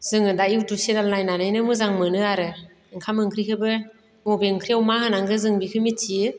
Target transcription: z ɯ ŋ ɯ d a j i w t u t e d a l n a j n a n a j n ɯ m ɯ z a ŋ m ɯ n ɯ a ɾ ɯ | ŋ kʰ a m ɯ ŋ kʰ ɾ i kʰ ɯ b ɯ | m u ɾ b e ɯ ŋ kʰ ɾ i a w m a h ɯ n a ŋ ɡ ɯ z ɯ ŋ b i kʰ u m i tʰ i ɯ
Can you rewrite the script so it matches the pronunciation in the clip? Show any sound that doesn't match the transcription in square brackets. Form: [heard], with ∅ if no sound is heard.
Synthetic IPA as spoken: z ɯ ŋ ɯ d a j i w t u [s] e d a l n a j n a n a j n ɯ m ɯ z a ŋ m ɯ n ɯ a ɾ ɯ | ŋ kʰ a m ɯ ŋ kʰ ɾ i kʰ ɯ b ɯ | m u [∅] b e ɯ ŋ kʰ ɾ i a w m a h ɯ n a ŋ ɡ ɯ z ɯ ŋ b i kʰ [ɯ] m i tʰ i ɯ